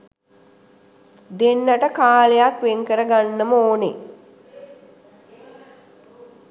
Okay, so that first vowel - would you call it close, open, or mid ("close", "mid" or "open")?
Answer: mid